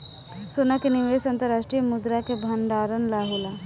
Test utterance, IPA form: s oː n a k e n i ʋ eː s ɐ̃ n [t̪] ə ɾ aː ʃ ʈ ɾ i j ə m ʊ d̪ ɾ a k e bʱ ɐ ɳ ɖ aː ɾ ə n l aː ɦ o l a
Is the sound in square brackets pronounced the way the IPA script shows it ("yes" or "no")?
yes